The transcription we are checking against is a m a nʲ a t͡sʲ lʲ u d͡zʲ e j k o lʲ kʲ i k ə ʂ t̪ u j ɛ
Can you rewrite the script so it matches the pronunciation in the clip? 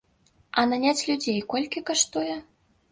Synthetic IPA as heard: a n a nʲ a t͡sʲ lʲ u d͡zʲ e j k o lʲ kʲ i k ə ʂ t̪ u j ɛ

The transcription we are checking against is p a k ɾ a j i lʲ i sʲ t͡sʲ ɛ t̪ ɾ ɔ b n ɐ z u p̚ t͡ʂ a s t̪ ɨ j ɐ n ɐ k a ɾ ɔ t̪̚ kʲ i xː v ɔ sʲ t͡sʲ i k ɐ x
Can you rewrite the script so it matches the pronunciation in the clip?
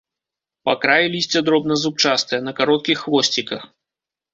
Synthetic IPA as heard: p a k ɾ a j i lʲ i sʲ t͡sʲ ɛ d̪ ɾ ɔ b n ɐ z u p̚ t͡ʂ a s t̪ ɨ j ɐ n ɐ k a ɾ ɔ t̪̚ kʲ i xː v ɔ sʲ t͡sʲ i k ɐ x

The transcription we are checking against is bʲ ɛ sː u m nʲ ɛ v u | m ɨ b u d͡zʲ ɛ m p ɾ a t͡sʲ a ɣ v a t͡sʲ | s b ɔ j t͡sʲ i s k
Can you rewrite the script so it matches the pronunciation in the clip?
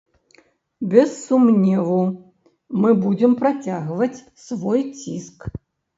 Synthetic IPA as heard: bʲ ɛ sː u m nʲ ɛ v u | m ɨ b u d͡zʲ ɛ m p ɾ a t͡sʲ a ɣ v ɐ t͡sʲ | s v ɔ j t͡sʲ i s k

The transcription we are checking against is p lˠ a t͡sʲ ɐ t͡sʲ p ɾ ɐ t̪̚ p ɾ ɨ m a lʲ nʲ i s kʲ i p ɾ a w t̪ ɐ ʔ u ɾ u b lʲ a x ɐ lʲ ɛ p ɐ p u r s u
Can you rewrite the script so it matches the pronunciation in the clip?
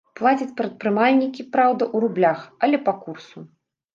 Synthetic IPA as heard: p lˠ a t͡sʲ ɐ t͡sʲ p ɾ ɐ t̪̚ p ɾ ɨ m a lʲ nʲ i kʲ i p ɾ a w d̪ ɐ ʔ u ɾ u b lʲ a x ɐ lʲ ɛ p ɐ k u r s u

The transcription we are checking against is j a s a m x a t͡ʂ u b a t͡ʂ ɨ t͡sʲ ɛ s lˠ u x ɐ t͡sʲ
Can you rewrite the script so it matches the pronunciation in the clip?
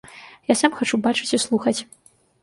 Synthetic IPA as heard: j a s a m x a t͡ʂ u b a t͡ʂ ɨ t͡sʲ i s lˠ u x ɐ t͡sʲ

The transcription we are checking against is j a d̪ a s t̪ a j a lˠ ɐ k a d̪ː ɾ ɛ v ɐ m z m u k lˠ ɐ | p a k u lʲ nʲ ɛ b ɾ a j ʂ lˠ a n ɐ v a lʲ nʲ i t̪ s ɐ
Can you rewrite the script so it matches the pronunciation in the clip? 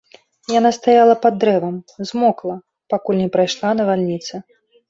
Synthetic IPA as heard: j a n̪ a s t̪ a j a lˠ ɐ p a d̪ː ɾ ɛ v ɐ m z m ɔ k lˠ ɐ | p a k u lʲ nʲ ɛ p ɾ a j ʂ lˠ a n ɐ v a lʲ nʲ i t̪ s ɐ

